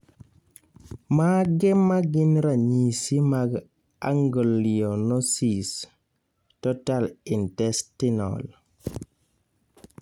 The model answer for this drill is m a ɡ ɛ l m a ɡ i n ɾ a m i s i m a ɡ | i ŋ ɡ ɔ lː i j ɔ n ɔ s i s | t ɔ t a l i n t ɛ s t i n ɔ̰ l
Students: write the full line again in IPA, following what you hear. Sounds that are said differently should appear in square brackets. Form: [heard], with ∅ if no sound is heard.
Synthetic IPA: m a ɡ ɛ [∅] m a ɡ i n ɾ a [ɲ] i s i m a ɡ | [a] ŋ ɡ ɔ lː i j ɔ n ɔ s i s | t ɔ t a l i n t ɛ s t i n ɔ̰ l